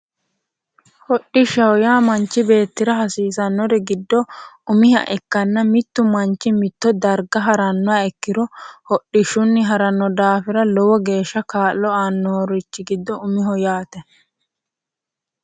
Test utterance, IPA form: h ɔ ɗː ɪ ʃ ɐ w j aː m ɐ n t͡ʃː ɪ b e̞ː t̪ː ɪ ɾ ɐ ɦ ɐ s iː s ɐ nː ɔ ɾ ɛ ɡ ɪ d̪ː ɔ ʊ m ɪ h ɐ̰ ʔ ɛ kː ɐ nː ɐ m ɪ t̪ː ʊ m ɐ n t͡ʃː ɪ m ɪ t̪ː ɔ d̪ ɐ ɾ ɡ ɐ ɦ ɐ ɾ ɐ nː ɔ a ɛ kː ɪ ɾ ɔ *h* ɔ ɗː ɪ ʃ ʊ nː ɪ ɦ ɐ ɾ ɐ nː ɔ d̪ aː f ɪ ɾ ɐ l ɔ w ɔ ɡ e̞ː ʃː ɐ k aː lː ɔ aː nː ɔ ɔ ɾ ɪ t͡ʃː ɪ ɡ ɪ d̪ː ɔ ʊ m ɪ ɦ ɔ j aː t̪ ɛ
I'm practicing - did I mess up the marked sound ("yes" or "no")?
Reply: no